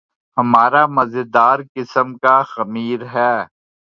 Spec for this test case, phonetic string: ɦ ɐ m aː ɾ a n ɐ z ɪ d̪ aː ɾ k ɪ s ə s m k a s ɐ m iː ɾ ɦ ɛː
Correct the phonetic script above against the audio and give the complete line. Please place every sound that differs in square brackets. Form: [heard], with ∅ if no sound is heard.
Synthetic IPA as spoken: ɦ ɐ m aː ɾ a [m] ɐ z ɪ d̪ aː ɾ k ɪ s ə [∅] m k a [x] ɐ m iː ɾ ɦ ɛː